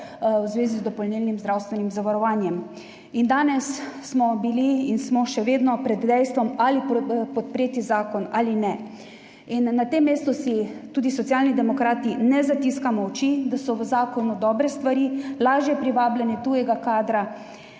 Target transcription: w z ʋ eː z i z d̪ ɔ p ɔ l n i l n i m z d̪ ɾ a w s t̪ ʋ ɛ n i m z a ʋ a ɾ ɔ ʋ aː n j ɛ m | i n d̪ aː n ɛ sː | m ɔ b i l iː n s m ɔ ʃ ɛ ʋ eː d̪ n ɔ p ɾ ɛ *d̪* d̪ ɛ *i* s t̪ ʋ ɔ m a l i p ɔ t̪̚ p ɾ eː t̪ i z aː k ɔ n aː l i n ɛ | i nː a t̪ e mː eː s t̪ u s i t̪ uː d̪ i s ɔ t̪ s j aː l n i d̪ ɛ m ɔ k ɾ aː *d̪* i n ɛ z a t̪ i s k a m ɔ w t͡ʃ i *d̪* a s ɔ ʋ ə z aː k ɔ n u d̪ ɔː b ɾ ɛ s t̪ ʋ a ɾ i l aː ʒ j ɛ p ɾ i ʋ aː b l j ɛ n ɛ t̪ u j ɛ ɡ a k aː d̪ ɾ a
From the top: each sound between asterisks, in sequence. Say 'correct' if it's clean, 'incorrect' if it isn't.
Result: correct, incorrect: j, incorrect: t̪, correct

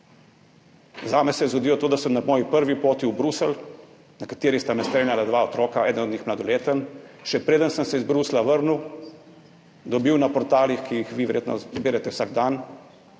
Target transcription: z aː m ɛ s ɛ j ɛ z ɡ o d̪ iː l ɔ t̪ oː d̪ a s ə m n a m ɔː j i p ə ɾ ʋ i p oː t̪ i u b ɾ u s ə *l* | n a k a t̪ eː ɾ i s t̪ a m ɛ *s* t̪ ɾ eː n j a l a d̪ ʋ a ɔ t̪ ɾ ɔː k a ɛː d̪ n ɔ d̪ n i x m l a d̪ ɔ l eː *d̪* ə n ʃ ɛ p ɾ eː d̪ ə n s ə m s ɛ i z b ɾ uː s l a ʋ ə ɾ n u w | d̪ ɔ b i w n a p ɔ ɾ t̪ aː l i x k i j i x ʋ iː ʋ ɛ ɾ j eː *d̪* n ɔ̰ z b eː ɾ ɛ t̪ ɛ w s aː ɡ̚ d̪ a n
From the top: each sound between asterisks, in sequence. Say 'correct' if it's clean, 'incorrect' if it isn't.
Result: correct, correct, incorrect: t̪, incorrect: t̪

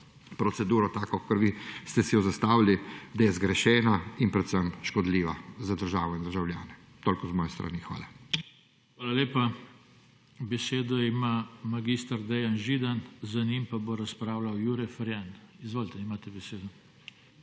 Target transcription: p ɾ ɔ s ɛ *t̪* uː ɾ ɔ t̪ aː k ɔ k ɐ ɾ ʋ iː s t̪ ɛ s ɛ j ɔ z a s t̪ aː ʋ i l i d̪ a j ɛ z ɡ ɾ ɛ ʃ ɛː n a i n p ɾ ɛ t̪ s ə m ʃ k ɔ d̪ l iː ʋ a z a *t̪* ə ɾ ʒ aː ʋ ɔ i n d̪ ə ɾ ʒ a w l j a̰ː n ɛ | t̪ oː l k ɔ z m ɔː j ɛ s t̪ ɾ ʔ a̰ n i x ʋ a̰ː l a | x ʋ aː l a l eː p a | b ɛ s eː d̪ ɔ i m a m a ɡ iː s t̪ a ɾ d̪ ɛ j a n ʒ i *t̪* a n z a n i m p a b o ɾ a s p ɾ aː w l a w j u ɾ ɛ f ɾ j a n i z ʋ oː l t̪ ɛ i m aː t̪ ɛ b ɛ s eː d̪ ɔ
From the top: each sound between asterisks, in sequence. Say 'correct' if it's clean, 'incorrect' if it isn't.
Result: incorrect: d̪, incorrect: d̪, incorrect: d̪

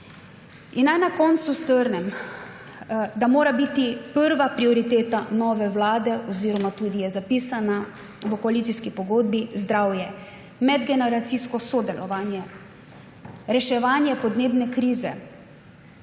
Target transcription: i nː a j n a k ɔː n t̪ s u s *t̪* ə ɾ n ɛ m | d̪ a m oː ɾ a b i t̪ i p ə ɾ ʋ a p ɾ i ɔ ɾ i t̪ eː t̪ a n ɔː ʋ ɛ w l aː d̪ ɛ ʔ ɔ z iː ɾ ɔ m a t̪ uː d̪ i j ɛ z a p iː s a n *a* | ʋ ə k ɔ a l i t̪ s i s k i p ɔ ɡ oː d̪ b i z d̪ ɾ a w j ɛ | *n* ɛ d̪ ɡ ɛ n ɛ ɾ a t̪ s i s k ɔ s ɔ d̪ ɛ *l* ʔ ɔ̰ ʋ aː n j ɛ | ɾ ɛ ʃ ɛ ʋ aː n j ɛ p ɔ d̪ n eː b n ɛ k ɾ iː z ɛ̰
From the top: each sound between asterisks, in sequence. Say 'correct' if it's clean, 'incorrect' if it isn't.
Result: correct, correct, incorrect: m, correct

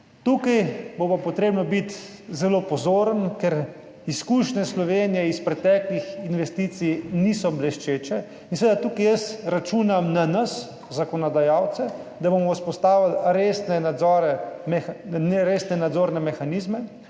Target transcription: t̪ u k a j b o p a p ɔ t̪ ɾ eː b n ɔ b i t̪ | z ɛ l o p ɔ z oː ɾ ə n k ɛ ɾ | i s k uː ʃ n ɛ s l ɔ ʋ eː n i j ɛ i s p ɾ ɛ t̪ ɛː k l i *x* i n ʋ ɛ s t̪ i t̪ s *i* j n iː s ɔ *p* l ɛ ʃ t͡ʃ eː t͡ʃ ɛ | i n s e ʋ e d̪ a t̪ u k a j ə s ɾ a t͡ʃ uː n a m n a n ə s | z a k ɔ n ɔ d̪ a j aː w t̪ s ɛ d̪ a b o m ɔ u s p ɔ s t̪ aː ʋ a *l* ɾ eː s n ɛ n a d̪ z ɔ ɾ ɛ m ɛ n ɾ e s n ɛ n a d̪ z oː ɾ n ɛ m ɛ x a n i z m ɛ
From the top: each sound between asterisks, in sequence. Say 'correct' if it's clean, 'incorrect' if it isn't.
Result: correct, correct, incorrect: b, correct

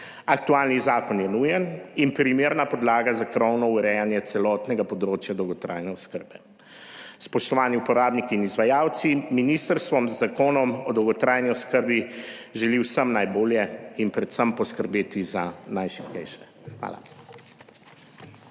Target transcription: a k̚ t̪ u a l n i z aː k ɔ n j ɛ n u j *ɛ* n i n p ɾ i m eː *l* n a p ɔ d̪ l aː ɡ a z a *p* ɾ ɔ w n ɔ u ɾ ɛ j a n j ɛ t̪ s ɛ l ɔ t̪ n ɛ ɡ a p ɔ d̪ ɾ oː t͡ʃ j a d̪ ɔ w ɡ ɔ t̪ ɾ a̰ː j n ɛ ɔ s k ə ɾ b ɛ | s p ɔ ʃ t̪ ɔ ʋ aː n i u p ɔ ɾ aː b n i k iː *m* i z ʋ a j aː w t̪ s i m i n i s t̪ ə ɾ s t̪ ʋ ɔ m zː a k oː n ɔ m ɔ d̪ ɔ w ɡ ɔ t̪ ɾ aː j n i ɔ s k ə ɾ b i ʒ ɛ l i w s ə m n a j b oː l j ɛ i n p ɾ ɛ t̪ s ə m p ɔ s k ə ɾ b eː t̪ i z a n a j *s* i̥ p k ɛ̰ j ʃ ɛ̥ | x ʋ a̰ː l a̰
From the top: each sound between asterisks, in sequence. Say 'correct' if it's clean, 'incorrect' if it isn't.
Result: correct, incorrect: ɾ, incorrect: k, incorrect: n, incorrect: ʃ

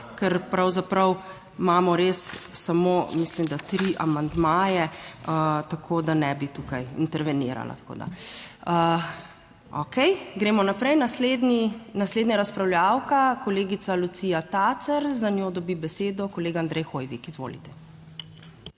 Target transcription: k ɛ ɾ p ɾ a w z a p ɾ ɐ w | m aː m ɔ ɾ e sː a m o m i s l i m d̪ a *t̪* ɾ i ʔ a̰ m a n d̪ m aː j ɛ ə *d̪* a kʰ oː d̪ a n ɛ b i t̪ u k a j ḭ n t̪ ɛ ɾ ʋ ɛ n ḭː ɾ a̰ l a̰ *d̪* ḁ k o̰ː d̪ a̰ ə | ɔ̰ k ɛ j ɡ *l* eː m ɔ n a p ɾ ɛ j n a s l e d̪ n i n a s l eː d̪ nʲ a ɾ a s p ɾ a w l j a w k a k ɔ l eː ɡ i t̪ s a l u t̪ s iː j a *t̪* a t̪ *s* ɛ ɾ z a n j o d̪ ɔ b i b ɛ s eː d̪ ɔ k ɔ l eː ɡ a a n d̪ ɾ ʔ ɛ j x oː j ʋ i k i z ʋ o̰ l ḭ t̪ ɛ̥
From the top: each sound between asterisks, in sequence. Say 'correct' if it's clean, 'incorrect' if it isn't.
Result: correct, incorrect: t̪, incorrect: t̪, incorrect: ɾ, correct, correct

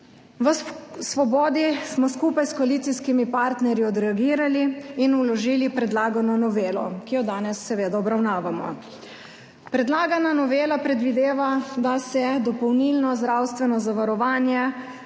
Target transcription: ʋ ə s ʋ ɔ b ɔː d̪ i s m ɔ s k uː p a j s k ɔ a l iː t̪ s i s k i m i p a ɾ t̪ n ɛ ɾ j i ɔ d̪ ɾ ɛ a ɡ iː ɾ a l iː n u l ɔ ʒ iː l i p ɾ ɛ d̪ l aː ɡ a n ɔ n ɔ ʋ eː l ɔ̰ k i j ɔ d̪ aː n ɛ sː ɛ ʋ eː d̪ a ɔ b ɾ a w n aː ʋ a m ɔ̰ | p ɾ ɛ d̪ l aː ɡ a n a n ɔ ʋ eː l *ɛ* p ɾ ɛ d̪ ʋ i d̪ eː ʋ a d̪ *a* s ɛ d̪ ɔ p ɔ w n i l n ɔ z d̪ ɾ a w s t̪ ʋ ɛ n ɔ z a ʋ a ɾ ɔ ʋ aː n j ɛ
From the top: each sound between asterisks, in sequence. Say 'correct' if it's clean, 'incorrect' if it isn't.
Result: incorrect: a, correct

